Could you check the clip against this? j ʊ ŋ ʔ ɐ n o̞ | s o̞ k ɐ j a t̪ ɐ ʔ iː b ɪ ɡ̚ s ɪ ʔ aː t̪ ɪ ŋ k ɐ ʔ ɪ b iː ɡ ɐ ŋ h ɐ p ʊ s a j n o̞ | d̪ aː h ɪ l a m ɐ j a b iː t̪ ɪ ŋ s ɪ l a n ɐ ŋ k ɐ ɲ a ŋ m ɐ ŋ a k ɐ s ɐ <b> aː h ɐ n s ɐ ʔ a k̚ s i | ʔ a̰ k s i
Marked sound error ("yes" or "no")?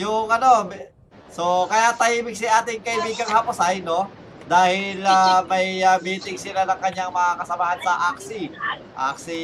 yes